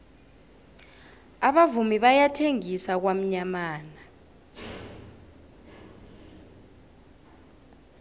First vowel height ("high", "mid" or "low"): low